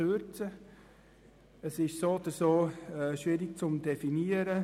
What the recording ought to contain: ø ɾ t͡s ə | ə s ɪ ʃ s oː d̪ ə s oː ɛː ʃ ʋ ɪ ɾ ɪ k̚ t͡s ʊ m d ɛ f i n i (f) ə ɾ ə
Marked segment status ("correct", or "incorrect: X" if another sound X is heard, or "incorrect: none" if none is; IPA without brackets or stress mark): incorrect: none